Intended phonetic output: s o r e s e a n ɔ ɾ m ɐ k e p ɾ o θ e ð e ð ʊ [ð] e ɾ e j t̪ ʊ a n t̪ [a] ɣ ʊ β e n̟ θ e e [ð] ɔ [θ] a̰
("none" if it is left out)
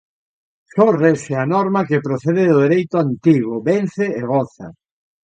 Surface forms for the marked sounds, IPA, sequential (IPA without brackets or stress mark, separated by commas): ð, i, ɣ, θ